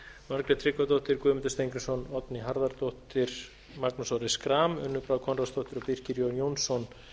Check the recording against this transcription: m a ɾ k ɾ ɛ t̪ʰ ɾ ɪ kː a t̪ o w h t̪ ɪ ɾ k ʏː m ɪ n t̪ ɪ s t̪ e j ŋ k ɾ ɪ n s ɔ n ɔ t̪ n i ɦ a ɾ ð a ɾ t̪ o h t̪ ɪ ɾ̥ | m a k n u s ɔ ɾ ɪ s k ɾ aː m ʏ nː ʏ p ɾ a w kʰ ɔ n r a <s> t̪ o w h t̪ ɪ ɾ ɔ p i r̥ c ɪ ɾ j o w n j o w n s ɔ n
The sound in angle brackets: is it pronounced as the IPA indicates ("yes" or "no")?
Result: yes